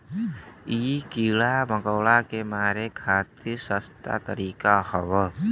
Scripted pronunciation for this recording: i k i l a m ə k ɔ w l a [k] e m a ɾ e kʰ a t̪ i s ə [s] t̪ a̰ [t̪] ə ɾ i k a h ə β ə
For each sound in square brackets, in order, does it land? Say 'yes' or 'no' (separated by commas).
yes, yes, yes